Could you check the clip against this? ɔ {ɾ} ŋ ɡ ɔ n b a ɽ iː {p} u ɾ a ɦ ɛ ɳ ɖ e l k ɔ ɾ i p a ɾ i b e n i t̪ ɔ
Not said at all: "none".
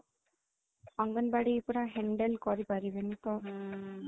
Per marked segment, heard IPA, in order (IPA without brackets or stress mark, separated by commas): none, p